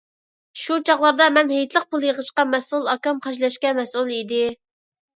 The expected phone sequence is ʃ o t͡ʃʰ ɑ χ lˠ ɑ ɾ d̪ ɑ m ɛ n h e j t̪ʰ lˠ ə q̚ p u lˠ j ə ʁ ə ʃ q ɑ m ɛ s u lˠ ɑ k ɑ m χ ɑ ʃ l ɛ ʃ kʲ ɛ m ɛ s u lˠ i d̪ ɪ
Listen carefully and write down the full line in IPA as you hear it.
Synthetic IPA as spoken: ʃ u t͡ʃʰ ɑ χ lˠ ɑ ɾ d̪ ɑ m ɛ n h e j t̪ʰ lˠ ə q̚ p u lˠ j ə ʁ ə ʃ q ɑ m ɛ s u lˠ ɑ k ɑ m χ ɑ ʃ l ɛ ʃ kʲ ɛ m ɛ s u lˠ i d̪ ɪ